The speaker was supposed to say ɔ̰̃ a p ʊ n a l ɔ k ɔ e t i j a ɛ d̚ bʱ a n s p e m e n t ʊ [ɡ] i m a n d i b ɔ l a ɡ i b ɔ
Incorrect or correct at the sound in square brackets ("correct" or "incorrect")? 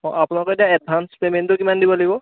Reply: incorrect